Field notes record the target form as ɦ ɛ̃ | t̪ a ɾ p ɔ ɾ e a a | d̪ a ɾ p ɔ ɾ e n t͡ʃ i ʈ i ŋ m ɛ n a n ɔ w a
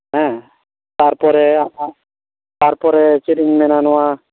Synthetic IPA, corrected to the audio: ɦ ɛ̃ | t̪ a ɾ p ɔ ɾ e a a | t̪ a ɾ p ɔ ɾ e t͡ʃ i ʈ i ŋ m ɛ n a n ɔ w a